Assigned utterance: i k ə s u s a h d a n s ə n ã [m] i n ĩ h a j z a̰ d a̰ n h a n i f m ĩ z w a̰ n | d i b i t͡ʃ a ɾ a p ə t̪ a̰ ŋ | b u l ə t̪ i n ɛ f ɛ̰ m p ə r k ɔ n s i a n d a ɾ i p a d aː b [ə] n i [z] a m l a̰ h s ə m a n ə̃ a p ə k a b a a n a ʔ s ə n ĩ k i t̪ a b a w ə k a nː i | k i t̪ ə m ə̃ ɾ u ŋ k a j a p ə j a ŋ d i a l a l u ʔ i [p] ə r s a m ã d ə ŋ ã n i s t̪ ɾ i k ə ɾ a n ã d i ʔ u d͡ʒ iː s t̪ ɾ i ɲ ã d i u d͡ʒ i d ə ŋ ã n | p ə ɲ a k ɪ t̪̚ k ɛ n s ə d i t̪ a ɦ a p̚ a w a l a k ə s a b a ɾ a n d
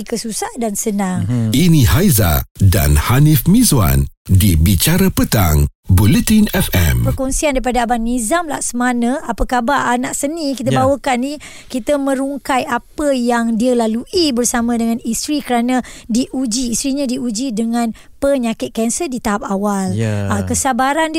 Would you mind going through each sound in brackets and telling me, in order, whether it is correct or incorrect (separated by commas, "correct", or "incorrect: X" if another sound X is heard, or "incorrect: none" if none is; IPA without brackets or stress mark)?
incorrect: ŋ, incorrect: a, correct, incorrect: b